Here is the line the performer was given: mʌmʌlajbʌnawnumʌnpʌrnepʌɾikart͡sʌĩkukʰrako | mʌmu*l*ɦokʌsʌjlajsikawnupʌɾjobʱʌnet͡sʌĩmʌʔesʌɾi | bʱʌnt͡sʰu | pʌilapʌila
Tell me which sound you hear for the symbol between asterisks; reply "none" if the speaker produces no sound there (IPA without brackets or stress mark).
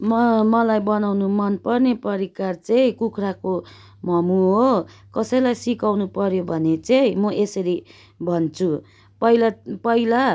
none